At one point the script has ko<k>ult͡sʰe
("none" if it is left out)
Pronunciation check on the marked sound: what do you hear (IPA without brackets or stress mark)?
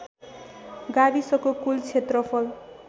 k